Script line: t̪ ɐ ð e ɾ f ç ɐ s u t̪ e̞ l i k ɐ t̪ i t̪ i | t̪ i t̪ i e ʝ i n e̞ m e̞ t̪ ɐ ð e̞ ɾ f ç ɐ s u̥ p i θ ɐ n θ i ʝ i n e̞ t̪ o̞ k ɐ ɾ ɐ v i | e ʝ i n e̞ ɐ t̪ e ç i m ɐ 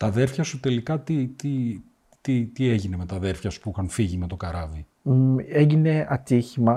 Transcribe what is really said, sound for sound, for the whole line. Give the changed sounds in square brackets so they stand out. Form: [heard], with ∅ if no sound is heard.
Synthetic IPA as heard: t̪ ɐ ð e ɾ f ç ɐ s u t̪ e̞ l i k ɐ t̪ i t̪ i | t̪ i t̪ i e ʝ i n e̞ m e̞ t̪ ɐ ð e̞ ɾ f ç ɐ s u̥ p i [x] ɐ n [f] i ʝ i [m] e̞ t̪ o̞ k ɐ ɾ ɐ v i | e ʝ i n e̞ ɐ t̪ [i] ç i m ɐ